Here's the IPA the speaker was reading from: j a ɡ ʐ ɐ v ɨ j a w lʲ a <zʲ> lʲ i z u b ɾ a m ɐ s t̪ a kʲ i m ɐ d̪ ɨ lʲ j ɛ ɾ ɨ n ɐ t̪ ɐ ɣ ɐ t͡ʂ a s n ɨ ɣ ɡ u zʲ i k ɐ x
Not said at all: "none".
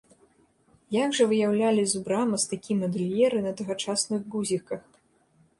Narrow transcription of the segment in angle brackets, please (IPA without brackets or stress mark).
none